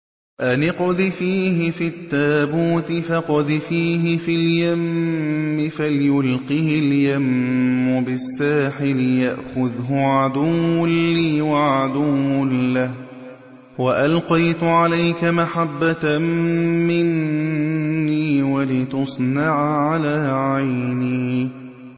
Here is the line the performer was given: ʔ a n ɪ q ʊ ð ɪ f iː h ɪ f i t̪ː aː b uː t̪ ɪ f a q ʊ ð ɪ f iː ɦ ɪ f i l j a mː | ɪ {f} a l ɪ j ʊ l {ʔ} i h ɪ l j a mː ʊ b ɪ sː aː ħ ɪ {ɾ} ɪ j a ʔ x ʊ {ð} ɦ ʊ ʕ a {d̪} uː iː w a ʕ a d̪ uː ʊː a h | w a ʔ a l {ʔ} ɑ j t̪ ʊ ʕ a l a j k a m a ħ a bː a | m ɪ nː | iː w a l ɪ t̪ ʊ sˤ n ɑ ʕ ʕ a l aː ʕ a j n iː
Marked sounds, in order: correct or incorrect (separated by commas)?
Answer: correct, incorrect, incorrect, correct, correct, incorrect